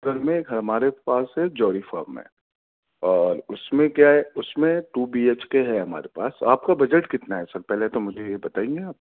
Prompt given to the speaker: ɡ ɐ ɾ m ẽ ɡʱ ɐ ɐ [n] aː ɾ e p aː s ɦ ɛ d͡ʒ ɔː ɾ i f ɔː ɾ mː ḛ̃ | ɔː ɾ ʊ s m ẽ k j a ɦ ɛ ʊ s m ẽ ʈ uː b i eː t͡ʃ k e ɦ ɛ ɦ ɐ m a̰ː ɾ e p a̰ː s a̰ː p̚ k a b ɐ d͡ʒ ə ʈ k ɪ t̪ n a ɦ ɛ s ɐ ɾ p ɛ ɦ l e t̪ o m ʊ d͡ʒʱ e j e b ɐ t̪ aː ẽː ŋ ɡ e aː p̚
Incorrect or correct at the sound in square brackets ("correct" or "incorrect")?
incorrect